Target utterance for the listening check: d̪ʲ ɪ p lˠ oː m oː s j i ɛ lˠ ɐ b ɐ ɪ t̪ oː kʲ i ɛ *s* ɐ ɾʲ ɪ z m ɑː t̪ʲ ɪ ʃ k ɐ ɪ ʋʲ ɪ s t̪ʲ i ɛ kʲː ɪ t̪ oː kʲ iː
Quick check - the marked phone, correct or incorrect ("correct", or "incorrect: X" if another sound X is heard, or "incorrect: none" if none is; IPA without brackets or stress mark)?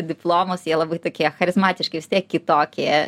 incorrect: x